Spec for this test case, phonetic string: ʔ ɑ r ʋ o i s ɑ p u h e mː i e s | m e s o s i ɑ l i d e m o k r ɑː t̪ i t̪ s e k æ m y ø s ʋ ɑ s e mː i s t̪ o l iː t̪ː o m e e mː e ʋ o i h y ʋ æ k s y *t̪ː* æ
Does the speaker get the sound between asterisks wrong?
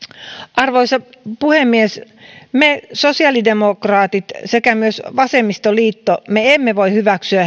yes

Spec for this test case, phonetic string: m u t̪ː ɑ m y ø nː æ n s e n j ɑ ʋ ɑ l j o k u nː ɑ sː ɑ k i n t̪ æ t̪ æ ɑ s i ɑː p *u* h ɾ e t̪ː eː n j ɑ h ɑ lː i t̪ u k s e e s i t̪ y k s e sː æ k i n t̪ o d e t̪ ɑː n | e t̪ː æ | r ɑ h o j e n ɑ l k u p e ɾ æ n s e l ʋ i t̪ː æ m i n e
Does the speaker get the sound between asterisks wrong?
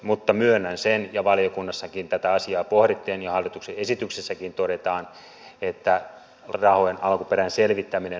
yes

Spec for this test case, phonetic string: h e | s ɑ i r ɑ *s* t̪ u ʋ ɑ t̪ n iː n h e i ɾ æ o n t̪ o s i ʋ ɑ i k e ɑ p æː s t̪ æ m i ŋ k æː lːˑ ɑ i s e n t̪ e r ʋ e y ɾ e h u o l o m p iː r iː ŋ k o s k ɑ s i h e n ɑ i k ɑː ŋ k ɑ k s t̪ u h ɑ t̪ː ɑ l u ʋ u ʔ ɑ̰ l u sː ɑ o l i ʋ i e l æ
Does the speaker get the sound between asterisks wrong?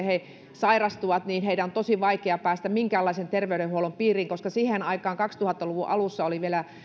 no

